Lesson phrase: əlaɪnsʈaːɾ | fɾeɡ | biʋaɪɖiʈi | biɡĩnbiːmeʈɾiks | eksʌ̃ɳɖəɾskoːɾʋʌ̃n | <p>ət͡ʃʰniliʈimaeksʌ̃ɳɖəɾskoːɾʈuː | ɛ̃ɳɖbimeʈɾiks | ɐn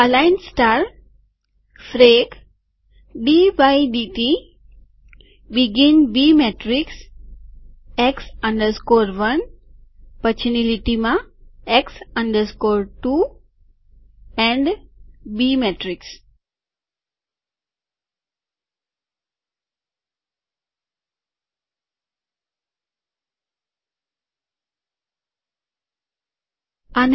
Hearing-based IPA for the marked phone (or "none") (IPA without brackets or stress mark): p